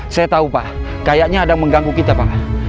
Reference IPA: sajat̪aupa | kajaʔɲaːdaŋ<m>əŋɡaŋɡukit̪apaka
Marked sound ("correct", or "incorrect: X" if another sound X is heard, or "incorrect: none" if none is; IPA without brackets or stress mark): correct